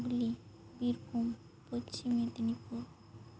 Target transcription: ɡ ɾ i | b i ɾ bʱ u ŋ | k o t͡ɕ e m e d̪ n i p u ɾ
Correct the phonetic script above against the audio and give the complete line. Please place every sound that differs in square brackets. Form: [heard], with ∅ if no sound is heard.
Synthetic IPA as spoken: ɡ [l] i | b i ɾ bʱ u [m] | [p] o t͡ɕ [i] m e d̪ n i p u ɾ